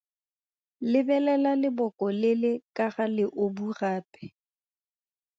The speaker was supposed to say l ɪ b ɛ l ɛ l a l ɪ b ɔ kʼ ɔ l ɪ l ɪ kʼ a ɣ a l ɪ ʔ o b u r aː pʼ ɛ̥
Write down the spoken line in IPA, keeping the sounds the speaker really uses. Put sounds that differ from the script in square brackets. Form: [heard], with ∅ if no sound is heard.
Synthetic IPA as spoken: l ɪ b ɛ l ɛ l a l ɪ b ɔ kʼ ɔ l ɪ l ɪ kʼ a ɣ a l ɪ ʔ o b u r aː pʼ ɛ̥